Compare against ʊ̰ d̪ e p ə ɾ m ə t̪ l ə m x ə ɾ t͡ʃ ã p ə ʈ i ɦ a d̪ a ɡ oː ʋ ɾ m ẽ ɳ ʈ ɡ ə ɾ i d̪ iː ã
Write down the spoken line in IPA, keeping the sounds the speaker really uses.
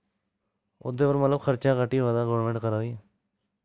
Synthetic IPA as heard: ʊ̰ d̪ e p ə ɾ m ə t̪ l ə b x ə ɾ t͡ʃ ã k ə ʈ i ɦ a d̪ a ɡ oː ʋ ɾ m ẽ ɳ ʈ k ə ɾ a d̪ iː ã

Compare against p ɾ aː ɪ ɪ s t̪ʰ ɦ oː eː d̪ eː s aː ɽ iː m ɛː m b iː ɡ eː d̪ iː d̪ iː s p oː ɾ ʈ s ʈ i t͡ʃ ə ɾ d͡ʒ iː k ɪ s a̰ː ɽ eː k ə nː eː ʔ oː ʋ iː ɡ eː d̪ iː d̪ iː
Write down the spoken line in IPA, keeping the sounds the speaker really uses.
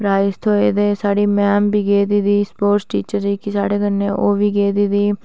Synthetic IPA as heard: p ɾ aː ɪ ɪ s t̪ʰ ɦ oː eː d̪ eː s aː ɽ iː m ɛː m b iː ɡ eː d̪ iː d̪ iː s p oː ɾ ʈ s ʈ iː t͡ʃ ə ɾ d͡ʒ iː k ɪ s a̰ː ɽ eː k ə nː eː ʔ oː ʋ iː ɡ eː d̪ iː d̪ iː

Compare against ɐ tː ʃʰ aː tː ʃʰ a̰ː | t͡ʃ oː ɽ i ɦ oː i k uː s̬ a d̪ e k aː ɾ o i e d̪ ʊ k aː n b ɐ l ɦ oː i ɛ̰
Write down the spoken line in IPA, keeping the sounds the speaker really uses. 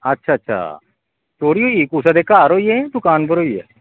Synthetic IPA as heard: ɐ tː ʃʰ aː tː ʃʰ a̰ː | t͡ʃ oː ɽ i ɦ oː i k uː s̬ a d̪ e k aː ɾ o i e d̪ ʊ k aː n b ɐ ɾ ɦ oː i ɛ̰

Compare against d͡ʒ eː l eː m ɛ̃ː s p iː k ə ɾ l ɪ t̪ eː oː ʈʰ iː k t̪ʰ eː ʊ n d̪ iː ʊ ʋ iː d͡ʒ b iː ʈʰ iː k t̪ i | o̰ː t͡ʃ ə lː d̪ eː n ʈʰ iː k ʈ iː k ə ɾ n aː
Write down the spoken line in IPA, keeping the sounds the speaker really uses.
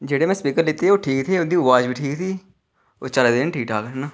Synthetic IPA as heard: d͡ʒ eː ɽ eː m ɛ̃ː s p iː k ə ɾ l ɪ t̪ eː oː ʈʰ iː k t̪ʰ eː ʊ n d̪ iː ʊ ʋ aː d͡ʒ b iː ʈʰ iː k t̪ iː | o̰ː t͡ʃ ə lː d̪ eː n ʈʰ iː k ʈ aː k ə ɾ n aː

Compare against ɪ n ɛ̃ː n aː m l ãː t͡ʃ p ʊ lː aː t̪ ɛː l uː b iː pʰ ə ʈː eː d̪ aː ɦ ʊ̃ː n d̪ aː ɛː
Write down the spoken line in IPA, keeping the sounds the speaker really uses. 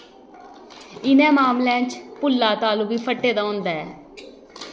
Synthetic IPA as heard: ɪ n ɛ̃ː m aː m l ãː t͡ʃ p ʊ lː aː t̪ aː l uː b iː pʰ ə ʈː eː d̪ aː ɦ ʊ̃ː n d̪ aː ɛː

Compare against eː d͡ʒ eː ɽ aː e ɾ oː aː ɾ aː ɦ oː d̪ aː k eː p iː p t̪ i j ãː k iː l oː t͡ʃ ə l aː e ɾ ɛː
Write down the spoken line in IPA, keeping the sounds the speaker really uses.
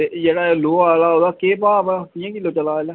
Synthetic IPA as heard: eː d͡ʒ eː ɽ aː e l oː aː l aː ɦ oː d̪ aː k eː p aː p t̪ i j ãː k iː l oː t͡ʃ ə l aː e l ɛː

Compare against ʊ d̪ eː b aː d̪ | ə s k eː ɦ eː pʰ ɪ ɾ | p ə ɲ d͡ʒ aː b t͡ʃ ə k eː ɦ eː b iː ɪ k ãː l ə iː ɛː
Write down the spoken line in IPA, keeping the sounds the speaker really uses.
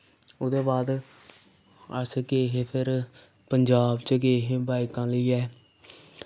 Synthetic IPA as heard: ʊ d̪ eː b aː d̪ | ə s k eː ɦ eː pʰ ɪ ɾ | p ə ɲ d͡ʒ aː b t͡ʃ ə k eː ɦ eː b aː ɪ k ãː l ə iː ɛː

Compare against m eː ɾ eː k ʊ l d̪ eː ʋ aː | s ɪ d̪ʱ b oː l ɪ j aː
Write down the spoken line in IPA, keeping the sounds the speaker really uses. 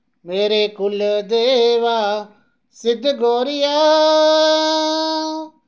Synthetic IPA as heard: m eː ɾ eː k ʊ l d̪ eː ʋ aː | s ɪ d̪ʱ ɡ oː ɾ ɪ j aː

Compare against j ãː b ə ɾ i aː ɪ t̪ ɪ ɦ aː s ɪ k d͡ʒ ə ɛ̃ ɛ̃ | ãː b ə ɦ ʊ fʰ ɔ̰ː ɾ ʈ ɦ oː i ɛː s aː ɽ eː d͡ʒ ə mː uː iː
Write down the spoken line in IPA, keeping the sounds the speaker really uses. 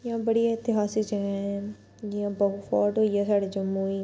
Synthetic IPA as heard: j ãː b ə ɽ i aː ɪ t̪ ɪ ɦ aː s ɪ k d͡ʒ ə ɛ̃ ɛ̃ | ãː b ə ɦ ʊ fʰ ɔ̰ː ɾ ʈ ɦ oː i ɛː s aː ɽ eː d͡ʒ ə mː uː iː

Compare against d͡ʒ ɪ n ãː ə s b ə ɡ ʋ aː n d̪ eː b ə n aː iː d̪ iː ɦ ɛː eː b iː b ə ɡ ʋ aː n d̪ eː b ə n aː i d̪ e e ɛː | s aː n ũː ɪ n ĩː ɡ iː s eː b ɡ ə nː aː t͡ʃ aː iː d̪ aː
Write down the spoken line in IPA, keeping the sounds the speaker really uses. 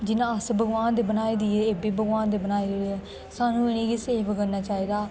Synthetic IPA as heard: d͡ʒ ɪ n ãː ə s b ə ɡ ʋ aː n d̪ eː b ə n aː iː d̪ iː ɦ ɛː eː b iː b ə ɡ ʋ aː n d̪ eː b ə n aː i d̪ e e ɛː | s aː n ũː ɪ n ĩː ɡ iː s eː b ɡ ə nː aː t͡ʃ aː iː d̪ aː

